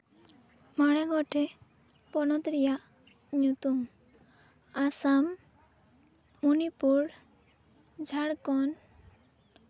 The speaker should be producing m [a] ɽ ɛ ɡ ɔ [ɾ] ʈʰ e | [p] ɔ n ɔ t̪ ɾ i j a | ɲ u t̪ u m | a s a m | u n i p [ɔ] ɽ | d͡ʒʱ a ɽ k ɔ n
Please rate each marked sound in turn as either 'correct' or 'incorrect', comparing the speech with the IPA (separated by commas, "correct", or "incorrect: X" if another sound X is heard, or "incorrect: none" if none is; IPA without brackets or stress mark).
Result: correct, incorrect: none, correct, incorrect: u